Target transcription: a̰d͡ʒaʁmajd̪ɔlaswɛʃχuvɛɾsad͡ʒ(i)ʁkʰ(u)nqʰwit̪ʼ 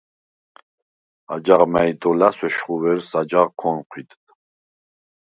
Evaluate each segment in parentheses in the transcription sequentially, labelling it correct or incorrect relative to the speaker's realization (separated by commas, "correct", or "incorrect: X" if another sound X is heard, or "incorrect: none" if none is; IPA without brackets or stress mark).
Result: incorrect: a, incorrect: ɔ